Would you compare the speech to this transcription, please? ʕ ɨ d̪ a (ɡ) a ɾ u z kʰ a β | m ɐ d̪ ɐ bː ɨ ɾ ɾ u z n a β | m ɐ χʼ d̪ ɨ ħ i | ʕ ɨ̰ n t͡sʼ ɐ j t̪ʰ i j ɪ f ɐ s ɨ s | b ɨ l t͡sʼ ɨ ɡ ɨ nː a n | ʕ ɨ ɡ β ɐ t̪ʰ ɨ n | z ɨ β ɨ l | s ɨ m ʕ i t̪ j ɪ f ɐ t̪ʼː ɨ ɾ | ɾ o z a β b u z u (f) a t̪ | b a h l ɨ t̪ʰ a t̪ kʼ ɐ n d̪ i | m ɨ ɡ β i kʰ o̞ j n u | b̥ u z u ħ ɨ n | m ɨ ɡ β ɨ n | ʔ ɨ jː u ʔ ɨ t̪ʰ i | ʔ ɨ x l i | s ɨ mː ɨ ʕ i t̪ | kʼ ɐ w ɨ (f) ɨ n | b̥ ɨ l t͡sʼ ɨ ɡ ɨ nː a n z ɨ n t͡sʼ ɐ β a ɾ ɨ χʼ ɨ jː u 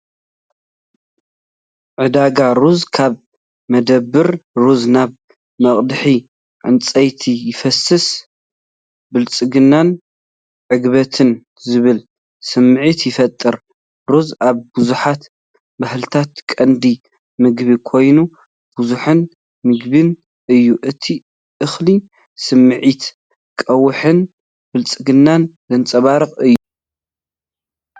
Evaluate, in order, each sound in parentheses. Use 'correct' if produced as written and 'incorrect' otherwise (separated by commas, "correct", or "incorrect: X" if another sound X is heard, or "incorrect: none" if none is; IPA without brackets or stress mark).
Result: correct, incorrect: ħ, incorrect: ħ